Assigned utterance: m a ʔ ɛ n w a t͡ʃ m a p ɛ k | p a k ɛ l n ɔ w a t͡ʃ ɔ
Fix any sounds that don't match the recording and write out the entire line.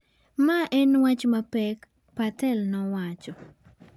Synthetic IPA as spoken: m a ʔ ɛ n w a t͡ʃ m a p ɛ k | p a t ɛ l n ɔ w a t͡ʃ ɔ